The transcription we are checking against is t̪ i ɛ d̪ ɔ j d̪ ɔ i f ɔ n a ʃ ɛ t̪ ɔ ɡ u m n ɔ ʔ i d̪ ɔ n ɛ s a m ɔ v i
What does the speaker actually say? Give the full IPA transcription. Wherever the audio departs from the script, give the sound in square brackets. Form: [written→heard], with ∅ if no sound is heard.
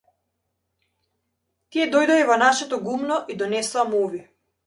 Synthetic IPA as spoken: t̪ i ɛ d̪ ɔ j d̪ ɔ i [f→v] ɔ n a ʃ ɛ t̪ ɔ ɡ u m n ɔ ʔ i d̪ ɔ n ɛ s a m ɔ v i